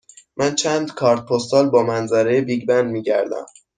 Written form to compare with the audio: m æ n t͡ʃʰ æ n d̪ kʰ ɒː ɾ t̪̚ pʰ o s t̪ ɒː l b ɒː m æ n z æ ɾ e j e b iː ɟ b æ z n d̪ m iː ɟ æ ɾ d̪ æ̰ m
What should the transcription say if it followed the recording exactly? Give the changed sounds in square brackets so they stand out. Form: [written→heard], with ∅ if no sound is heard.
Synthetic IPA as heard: m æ n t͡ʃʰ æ n d̪ kʰ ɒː ɾ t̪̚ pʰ o s t̪ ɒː l b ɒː m æ n z æ ɾ e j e b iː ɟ b æ [z→∅] n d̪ m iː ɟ æ ɾ d̪ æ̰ m